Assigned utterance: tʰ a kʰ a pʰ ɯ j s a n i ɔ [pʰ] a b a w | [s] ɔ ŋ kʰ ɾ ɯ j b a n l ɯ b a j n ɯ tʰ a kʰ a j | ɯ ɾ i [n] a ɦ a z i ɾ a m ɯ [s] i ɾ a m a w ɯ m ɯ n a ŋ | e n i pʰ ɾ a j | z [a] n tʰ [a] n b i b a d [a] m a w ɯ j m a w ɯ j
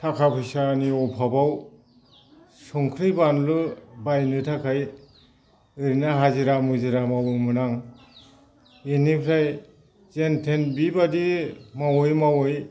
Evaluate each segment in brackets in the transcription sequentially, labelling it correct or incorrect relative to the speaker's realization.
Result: correct, correct, correct, incorrect: z, incorrect: e, incorrect: e, incorrect: i

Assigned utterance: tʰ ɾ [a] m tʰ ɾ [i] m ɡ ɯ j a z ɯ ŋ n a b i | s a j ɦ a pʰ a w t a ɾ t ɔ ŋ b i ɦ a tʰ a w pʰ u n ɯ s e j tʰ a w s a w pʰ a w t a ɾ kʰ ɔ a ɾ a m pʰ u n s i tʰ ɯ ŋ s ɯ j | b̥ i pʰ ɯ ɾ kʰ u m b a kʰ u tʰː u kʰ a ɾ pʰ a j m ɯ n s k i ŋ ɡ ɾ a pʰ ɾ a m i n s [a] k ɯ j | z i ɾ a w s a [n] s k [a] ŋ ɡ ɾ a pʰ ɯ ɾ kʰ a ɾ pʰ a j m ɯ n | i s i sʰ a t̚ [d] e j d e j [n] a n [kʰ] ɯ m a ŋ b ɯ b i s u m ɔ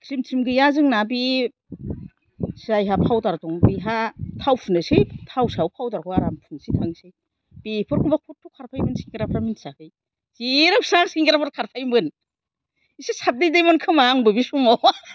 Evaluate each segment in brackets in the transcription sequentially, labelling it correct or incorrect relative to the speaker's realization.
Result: incorrect: i, correct, correct, incorrect: ŋ, incorrect: i, correct, incorrect: m, correct

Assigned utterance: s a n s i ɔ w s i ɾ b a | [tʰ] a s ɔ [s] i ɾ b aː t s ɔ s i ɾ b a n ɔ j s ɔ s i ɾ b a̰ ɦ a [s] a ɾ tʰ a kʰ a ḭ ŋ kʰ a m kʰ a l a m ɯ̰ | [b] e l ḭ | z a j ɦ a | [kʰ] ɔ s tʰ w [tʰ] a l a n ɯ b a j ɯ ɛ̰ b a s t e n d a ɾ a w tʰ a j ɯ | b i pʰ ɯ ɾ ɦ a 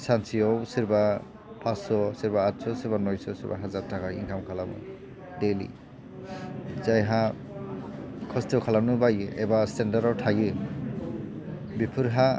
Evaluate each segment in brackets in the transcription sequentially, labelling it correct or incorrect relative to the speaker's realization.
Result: incorrect: pʰ, correct, incorrect: z, incorrect: d, correct, incorrect: kʰ

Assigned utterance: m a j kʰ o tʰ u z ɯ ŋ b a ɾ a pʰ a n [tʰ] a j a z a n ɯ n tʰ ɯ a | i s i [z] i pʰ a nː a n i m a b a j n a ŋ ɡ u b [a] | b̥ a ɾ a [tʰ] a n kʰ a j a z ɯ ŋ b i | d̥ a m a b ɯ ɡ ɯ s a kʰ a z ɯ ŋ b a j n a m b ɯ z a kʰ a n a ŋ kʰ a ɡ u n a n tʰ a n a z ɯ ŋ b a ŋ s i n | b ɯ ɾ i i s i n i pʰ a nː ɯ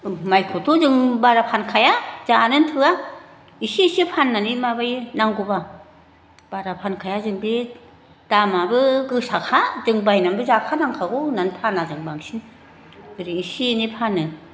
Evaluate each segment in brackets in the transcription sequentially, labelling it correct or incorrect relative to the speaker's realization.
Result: incorrect: kʰ, incorrect: s, correct, incorrect: pʰ

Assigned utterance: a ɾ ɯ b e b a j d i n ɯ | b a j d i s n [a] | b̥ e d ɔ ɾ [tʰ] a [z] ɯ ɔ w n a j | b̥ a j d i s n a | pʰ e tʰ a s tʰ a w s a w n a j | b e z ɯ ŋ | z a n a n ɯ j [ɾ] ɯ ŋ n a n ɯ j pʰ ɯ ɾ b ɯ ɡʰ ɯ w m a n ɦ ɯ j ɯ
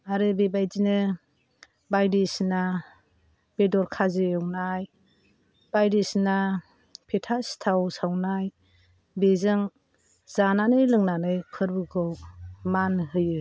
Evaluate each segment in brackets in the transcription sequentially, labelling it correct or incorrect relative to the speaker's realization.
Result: correct, incorrect: kʰ, correct, incorrect: l

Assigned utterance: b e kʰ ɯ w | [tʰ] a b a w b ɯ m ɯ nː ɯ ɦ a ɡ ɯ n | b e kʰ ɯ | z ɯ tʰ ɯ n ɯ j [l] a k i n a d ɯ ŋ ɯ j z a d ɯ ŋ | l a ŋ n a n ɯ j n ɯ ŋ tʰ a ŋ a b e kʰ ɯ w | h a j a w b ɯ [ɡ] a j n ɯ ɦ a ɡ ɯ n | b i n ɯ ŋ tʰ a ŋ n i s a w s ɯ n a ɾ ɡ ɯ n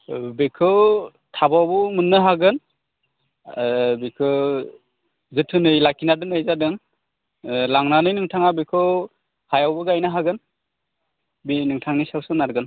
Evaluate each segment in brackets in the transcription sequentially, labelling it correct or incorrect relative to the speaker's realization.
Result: correct, correct, correct

